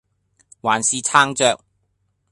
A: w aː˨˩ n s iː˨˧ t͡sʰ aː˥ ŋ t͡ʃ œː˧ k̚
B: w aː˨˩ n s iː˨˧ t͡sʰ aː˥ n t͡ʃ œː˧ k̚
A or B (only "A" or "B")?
A